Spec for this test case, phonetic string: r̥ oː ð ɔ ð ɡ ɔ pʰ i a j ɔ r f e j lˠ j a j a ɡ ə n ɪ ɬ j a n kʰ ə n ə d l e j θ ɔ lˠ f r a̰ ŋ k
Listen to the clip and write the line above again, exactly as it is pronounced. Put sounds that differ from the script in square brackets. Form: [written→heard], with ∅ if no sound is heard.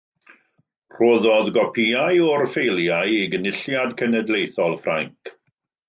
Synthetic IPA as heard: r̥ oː ð ɔ ð ɡ ɔ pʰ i a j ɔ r f e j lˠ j a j [a→i] ɡ ə n ɪ ɬ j a [n→d] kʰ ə n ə d l e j θ ɔ lˠ f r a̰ ŋ k